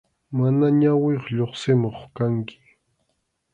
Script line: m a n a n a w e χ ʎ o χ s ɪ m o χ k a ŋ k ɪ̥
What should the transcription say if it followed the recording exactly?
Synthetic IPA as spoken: m a n a ɲ a w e χ ʎ o χ s ɪ m o χ k a ŋ k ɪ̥